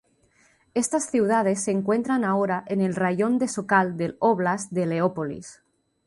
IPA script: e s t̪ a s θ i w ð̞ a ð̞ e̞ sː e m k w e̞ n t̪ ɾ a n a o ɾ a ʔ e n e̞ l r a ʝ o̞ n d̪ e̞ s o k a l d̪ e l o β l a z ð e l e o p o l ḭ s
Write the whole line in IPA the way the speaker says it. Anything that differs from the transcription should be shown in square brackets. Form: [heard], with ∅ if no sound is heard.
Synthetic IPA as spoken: e s t̪ a s θ i w ð̞ a ð̞ e̞ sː e [ŋ] k w e̞ n t̪ ɾ a n a o ɾ a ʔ e n e̞ l r a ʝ o̞ n d̪ e̞ s o k a l d̪ e l o β l a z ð e l e o p o l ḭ s